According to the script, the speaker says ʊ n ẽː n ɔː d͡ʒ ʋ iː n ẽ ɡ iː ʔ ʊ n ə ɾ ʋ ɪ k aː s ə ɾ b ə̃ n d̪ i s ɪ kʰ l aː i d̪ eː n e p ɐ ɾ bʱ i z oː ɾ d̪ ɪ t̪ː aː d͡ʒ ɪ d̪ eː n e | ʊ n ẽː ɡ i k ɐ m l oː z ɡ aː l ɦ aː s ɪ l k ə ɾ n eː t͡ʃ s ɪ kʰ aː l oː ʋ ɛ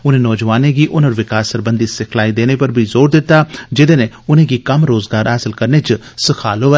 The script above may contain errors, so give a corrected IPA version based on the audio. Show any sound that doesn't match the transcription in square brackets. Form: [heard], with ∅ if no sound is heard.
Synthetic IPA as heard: ʊ n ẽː n ɔː d͡ʒ ʋ [aː] n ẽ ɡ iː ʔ ʊ n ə ɾ ʋ ɪ k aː s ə ɾ b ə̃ n d̪ i s ɪ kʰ l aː i d̪ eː n e p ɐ ɾ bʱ i z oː ɾ d̪ ɪ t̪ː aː d͡ʒ ɪ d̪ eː n e | ʊ n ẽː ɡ i k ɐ m [ɾ] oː z ɡ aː [ɾ] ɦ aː s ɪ l k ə ɾ n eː t͡ʃ s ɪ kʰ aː l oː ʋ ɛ